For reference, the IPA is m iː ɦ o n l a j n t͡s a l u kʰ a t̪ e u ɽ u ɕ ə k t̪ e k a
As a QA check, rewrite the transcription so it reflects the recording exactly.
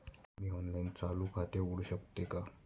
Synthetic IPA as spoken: m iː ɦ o n l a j n t͡s a l u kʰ a t̪ e u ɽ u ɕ ə k t̪ e k a